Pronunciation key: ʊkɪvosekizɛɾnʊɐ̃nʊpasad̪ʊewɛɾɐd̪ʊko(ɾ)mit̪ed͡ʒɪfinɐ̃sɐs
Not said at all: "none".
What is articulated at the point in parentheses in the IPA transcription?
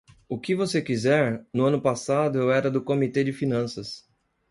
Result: none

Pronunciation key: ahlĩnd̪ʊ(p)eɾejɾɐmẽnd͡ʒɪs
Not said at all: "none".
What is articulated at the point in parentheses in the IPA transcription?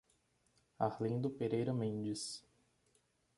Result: p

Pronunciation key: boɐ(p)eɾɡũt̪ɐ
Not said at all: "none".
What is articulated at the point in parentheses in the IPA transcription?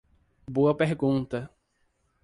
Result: p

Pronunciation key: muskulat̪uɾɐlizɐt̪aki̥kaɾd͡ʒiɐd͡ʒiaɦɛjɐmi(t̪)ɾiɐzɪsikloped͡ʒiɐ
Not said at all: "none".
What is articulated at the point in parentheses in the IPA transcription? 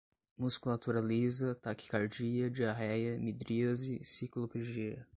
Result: d̪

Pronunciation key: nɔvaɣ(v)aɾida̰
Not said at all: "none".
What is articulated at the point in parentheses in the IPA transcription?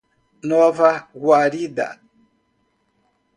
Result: w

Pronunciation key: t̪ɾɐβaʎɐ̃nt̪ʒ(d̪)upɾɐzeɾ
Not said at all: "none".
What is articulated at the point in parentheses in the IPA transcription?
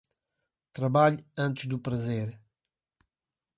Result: d̪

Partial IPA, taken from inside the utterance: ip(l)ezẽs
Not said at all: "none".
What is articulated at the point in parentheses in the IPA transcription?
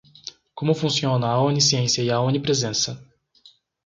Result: ɾ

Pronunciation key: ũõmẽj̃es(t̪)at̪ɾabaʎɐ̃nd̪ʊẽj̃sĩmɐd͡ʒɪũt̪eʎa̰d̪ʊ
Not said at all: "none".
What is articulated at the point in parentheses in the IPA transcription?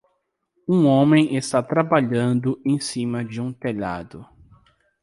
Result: t̪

